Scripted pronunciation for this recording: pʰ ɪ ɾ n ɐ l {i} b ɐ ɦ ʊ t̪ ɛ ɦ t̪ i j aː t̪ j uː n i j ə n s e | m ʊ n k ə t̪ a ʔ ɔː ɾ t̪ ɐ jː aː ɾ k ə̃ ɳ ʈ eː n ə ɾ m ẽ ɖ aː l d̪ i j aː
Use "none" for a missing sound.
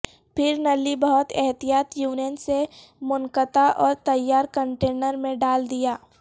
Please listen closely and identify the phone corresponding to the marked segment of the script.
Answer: i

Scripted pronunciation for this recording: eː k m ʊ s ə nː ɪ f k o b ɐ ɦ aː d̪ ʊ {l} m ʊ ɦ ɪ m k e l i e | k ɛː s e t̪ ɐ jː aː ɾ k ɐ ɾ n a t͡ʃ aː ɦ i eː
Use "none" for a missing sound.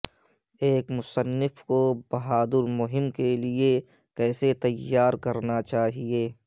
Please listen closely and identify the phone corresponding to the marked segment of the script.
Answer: ɾ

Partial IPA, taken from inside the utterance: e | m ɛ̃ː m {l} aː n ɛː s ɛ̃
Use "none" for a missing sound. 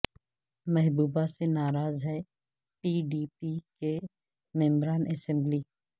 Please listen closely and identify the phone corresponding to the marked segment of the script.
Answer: ɾ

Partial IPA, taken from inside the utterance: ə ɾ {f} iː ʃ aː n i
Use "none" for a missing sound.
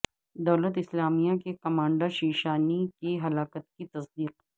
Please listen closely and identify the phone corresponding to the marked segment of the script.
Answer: ʃ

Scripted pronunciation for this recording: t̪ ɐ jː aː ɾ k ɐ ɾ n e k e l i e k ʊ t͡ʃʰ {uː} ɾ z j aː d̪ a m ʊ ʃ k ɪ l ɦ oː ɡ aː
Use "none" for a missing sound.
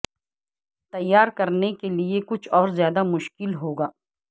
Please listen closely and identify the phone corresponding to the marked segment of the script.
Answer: ɔː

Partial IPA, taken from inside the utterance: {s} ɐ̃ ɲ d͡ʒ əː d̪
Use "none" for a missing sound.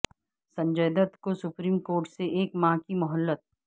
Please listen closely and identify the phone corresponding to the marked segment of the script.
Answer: s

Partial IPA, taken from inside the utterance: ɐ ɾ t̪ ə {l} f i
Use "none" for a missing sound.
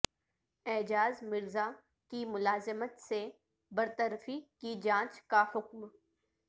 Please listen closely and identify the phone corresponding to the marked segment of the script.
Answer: ɾ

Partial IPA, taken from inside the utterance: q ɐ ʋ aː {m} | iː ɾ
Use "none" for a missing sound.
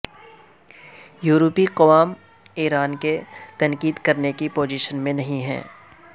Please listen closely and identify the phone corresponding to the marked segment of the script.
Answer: m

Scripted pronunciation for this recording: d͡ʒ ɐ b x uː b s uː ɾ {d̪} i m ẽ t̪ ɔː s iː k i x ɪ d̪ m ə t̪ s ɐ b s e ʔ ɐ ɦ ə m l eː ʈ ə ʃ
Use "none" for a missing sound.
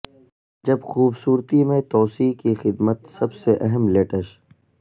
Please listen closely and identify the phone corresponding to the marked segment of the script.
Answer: t̪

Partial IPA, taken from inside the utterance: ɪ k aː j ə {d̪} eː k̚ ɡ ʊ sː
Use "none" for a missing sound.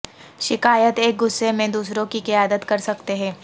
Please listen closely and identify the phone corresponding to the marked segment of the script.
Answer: t̪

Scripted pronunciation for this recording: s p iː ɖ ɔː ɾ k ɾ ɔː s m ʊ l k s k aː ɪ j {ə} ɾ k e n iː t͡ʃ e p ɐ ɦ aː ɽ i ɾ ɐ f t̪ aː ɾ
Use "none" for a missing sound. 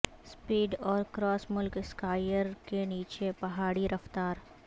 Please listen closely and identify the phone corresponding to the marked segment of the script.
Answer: ə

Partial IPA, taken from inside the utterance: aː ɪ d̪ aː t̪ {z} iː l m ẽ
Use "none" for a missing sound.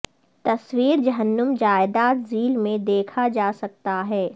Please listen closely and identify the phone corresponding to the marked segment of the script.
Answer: z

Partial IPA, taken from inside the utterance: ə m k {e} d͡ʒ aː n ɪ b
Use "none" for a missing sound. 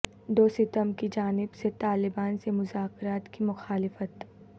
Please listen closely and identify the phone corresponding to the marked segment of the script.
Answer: i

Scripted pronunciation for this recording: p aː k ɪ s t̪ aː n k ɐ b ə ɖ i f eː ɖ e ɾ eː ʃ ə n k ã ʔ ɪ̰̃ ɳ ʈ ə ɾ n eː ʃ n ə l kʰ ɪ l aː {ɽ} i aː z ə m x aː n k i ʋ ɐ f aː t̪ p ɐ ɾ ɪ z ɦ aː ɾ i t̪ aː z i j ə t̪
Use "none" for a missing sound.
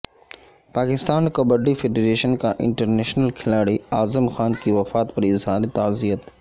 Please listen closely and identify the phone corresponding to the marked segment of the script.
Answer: ɽ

